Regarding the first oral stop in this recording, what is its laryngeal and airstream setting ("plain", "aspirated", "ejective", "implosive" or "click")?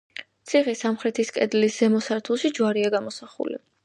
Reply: plain